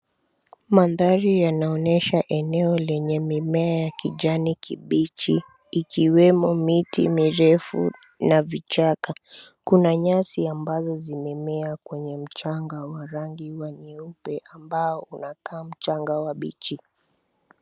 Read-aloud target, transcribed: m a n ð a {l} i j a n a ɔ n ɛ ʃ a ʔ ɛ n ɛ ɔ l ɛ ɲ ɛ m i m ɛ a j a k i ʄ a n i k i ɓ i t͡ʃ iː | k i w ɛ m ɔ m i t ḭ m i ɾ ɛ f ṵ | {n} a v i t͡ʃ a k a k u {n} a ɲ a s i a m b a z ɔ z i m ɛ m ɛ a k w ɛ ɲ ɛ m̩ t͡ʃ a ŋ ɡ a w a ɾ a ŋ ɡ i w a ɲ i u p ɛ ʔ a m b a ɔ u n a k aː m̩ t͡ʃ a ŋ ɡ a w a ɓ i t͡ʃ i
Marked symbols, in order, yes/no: no, yes, yes

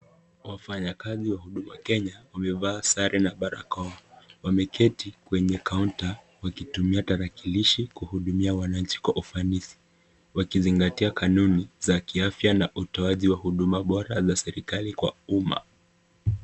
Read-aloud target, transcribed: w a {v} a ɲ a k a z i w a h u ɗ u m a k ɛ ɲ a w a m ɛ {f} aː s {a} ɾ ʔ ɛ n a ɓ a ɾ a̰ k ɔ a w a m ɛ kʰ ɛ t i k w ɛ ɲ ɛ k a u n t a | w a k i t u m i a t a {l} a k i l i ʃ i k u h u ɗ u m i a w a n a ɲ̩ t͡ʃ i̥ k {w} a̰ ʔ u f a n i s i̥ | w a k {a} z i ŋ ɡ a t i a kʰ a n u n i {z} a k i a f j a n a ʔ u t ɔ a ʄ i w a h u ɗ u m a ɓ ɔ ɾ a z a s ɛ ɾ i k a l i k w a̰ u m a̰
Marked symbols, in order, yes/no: no, no, yes, no, yes, no, yes

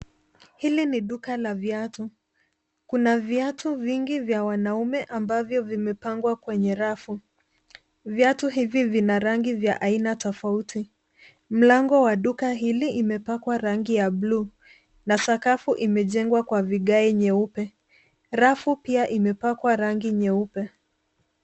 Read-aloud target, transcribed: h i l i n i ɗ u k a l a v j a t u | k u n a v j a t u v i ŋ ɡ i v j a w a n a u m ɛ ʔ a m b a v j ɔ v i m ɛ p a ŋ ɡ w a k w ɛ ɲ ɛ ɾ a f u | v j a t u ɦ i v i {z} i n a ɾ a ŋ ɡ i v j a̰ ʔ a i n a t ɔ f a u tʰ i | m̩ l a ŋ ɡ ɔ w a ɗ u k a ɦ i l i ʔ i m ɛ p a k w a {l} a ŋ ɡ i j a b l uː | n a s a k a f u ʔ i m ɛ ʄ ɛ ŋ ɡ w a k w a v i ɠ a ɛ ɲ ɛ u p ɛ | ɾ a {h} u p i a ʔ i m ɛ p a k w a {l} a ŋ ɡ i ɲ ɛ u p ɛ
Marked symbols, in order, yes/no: no, no, no, no

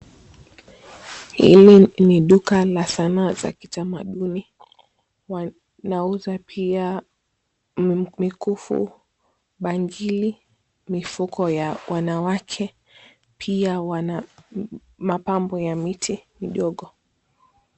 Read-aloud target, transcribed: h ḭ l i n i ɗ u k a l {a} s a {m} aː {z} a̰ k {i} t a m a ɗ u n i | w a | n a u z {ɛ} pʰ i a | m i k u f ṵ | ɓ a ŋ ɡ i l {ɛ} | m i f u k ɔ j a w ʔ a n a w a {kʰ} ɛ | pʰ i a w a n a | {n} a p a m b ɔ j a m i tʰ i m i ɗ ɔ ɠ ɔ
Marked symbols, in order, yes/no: yes, no, yes, yes, no, no, yes, no

